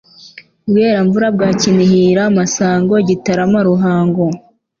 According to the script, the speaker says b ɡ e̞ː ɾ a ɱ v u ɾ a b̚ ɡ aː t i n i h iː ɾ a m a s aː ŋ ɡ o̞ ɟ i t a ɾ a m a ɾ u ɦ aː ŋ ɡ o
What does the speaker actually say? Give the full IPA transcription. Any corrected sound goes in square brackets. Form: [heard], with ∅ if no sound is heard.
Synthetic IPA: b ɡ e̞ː ɾ a ɱ v u ɾ a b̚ ɡ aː [c] i n i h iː ɾ a m a s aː ŋ ɡ o̞ ɟ i t a ɾ a m a ɾ u ɦ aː ŋ ɡ o